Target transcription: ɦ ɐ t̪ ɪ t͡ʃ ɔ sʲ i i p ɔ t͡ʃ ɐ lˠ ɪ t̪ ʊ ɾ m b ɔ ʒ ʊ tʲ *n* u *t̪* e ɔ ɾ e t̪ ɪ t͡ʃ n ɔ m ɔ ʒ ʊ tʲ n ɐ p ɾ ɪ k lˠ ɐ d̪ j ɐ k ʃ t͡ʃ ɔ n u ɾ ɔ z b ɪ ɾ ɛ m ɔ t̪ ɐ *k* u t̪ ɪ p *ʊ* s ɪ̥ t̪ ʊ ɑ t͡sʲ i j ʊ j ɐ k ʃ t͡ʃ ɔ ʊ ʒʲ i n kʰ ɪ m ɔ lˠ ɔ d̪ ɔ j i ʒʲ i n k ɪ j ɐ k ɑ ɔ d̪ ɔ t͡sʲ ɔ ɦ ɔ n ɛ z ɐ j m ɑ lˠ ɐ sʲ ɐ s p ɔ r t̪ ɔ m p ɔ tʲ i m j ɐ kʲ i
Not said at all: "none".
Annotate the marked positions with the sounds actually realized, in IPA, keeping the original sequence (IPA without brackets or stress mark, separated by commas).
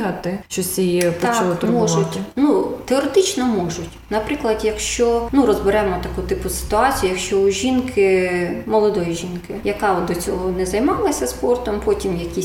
n, t̪, k, ʊ